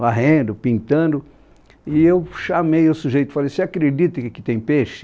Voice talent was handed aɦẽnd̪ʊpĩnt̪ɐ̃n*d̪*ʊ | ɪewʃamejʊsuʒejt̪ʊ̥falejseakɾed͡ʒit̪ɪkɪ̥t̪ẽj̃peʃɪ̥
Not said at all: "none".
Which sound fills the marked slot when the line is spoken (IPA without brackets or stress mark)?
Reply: d̪